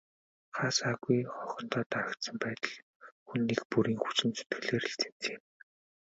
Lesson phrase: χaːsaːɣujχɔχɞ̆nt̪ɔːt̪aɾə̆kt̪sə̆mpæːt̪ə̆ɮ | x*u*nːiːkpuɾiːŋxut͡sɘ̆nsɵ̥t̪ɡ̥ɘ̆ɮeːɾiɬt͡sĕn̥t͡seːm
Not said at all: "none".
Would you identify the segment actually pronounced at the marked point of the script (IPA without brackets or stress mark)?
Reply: u